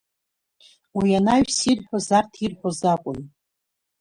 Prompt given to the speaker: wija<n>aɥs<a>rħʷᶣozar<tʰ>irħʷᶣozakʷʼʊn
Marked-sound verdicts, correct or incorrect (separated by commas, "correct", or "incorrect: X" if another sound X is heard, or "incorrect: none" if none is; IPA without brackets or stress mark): correct, incorrect: i, correct